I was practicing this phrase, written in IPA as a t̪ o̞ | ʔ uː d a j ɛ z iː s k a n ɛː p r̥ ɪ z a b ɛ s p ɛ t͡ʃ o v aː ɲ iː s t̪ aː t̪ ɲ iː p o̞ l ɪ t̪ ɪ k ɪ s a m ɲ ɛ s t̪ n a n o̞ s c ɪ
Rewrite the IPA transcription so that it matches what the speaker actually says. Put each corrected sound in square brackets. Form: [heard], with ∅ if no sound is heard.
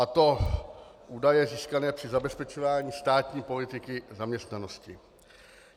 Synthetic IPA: a t̪ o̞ | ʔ uː d a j ɛ z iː s k a n ɛː p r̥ ɪ z a b ɛ s p ɛ t͡ʃ o v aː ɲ iː s t̪ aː t̪ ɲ iː p o̞ l ɪ t̪ ɪ k ɪ [z] a m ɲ ɛ s t̪ n a n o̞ s c ɪ